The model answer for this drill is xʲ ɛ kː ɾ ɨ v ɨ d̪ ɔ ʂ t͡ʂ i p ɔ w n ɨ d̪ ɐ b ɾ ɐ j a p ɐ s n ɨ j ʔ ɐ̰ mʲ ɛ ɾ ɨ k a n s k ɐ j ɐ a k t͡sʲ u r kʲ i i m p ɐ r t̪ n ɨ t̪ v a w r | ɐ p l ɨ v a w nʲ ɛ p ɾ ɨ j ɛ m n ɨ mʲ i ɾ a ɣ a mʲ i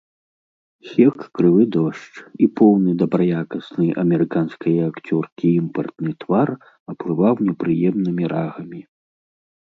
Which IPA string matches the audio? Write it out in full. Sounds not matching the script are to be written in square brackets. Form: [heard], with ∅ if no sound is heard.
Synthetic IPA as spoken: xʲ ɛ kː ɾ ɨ v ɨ d̪ ɔ ʂ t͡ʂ i p ɔ w n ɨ d̪ ɐ b ɾ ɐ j a [k] ɐ s n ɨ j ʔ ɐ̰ mʲ ɛ ɾ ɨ k a n s k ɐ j ɐ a k t͡sʲ [ɔ] r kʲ i i m p ɐ r t̪ n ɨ t̪ v a [∅] r | ɐ p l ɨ v a w nʲ ɛ p ɾ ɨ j ɛ m n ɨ mʲ i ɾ a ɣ [ɐ] mʲ i